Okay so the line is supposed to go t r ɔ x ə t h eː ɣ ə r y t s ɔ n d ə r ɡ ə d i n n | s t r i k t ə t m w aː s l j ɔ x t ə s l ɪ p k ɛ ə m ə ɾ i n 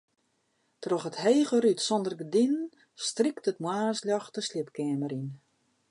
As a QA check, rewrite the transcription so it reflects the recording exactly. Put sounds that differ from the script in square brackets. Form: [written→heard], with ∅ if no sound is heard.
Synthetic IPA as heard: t r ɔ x ə t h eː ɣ ə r y t s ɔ n d ə r ɡ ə d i n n | s t r i k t ə t m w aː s l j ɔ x t ə s l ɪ p k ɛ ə m ə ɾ i n

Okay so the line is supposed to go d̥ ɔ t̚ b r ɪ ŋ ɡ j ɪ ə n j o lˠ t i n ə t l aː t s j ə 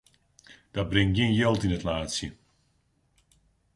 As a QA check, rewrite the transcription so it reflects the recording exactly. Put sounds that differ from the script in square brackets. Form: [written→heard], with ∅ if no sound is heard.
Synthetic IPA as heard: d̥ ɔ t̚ b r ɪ ŋ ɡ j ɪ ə n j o lˠ t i n ə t l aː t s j ə

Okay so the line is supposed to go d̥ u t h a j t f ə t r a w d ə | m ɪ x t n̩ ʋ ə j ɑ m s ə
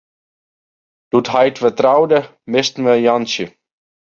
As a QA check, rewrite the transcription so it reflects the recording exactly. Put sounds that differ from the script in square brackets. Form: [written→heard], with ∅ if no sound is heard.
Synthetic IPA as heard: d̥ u t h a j t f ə t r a w d ə | m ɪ [x→s] t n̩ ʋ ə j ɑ [m→n] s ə

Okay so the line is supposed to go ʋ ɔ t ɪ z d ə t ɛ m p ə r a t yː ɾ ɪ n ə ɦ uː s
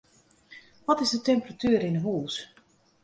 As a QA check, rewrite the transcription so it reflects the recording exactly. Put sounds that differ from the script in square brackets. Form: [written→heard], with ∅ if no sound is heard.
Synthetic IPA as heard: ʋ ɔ t ɪ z d ə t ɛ m p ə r a t yː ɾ ɪ n ə ɦ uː s

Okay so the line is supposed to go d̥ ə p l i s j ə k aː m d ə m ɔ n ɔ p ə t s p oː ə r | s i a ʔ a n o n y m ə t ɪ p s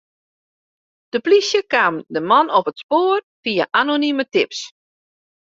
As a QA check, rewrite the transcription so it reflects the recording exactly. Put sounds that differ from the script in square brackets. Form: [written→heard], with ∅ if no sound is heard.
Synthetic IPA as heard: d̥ ə p l i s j ə k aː m d ə m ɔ n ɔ p ə t s p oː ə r | [s→f] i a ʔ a n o n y m ə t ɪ p s

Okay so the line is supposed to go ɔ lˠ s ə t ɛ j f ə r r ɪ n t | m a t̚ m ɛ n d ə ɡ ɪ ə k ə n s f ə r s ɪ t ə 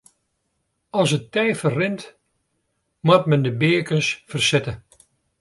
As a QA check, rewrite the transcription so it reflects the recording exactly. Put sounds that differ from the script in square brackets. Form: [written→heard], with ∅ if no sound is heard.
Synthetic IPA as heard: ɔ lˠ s ə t ɛ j f ə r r ɪ n t | m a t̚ m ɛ n d ə [ɡ→b] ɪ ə k ə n s f ə r s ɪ t ə

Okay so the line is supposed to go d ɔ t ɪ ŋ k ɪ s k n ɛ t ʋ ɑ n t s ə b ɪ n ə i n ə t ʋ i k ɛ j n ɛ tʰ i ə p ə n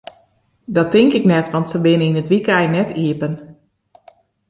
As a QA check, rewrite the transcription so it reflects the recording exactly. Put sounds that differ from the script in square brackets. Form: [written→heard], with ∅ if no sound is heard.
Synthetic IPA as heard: d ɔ t ɪ ŋ k ɪ [s→∅] k n ɛ t ʋ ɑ n t s ə b ɪ n ə i n ə t ʋ i k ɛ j n ɛ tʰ i ə p ə n

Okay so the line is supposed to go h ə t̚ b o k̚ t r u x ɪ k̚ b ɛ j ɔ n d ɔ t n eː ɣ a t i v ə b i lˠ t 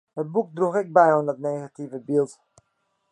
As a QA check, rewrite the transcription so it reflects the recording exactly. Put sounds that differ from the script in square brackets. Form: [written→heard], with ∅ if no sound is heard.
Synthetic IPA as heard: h ə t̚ b [o→u] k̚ [t→d] r u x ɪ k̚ b ɛ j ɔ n d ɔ t n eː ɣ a t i v ə b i lˠ t

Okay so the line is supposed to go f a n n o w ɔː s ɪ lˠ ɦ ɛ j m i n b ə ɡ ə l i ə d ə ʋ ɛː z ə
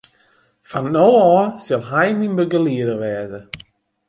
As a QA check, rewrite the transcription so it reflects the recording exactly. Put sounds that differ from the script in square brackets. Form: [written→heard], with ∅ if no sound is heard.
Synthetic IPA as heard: f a n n o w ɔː s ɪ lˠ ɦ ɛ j m i n b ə ɡ ə l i ə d ə ʋ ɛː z ə

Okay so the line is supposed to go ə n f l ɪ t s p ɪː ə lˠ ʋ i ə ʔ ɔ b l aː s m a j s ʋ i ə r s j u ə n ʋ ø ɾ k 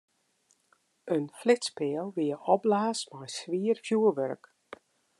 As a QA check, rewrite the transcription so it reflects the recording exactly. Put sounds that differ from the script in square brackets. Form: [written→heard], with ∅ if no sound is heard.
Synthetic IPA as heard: ə n f l ɪ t s p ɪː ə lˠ ʋ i ə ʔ ɔ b l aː s m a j s ʋ i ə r [s→f] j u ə [n→∅] ʋ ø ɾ k

